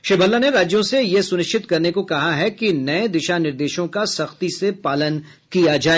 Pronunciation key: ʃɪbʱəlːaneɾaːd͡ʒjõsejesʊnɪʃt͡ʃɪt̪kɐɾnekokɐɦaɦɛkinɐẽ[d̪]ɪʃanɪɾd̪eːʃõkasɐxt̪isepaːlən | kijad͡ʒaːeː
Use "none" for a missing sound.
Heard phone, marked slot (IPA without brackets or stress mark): d̪